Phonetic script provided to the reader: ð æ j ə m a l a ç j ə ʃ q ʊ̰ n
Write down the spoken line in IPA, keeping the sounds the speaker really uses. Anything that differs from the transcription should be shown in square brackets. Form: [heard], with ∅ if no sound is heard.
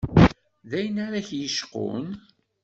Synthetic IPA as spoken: ð æ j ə [n] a [ɾ] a ç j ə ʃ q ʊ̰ n